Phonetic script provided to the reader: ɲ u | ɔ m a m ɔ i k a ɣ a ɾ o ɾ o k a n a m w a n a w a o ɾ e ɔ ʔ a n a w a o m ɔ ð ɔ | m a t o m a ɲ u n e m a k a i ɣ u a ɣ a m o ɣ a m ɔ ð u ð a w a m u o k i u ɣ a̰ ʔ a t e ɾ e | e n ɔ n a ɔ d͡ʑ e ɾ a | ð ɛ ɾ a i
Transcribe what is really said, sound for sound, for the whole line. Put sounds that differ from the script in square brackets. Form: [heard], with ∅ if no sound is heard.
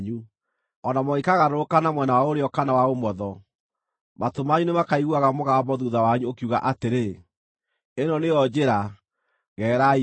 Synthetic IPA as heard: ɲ u | ɔ [n] a m ɔ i k a ɣ a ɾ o ɾ o k a n a m w [ɛ] n a w a o ɾ e ɔ [k] a n a w a o m ɔ ð ɔ | m a t o m a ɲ u n e m a k a i ɣ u a ɣ a m o ɣ a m ɔ ð u ð a w a [ɲ] u o k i u ɣ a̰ ʔ a t e ɾ e | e n ɔ n [e] ɔ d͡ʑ e ɾ a | [ɣ] ɛ ɾ a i